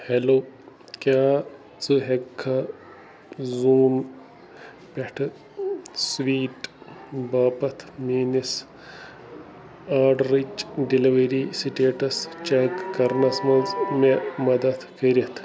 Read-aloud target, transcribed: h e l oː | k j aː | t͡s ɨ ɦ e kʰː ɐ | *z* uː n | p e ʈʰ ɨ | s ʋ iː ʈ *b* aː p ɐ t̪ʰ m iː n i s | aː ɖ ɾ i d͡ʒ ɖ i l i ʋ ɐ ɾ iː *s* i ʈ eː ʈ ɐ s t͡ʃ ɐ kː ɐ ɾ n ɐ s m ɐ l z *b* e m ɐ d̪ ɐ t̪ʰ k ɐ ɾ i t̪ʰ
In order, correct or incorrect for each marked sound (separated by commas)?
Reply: correct, correct, correct, incorrect